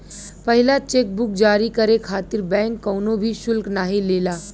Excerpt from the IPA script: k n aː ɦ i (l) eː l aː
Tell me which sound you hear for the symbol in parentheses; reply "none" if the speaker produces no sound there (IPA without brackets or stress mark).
l